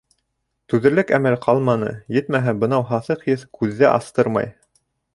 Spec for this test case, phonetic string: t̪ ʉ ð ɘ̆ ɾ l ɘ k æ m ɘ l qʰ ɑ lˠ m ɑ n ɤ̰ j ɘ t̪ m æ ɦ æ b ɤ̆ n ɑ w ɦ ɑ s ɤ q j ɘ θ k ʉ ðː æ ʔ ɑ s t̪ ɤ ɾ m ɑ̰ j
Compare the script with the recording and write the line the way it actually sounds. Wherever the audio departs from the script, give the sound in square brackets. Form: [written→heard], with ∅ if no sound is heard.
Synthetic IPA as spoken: t̪ ʉ ð ɘ̆ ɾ l ɘ k æ m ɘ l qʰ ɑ lˠ m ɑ n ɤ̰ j ɘ t̪ m æ ɦ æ b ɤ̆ n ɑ w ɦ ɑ [s→θ] ɤ q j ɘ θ k ʉ ðː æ ʔ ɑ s t̪ ɤ ɾ m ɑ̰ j

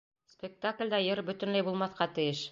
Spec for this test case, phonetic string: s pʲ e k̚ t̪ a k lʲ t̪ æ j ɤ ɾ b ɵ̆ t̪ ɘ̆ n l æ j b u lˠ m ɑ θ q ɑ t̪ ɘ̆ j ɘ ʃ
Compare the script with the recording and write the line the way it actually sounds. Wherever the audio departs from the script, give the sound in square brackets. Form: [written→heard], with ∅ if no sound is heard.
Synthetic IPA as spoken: s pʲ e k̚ t̪ a k lʲ [t̪→d̪] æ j ɤ ɾ b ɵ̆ t̪ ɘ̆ n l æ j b u lˠ m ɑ θ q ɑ t̪ ɘ̆ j ɘ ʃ

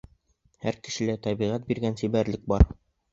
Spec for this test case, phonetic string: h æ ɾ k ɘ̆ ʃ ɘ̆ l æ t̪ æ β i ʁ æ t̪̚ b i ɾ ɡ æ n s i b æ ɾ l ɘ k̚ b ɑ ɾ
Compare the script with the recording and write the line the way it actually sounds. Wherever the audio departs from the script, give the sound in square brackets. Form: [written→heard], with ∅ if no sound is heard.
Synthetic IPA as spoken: h æ ɾ k ɘ̆ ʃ ɘ̆ l æ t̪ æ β i ʁ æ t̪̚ b i ɾ ɡ æ n s i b æ ɾ l ɘ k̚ b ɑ ɾ

